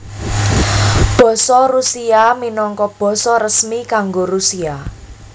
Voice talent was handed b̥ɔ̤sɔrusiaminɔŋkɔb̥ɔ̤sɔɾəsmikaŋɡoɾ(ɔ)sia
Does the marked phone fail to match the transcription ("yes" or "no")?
yes